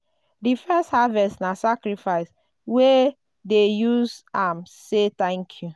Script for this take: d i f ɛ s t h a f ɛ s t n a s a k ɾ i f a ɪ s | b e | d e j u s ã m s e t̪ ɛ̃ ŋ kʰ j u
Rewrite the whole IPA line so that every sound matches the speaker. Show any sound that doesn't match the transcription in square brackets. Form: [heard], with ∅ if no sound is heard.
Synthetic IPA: d i f ɛ s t h a [v] ɛ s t n a s a k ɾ i f a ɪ s | [w] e | d e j u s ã m s e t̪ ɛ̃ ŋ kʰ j u